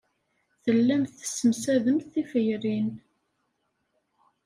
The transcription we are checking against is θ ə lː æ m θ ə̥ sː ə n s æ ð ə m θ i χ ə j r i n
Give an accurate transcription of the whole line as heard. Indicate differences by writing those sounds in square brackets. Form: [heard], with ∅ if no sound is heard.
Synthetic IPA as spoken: θ ə lː æ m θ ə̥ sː ə [m] s æ ð ə m θ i [f] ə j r i n